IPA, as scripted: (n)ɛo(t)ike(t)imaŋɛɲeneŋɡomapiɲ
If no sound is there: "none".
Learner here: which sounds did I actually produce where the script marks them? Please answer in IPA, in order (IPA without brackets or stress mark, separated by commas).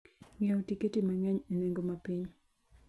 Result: ŋ, t, t